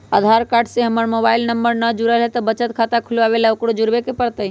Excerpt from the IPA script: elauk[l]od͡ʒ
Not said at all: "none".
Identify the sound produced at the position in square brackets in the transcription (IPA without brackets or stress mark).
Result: ɽ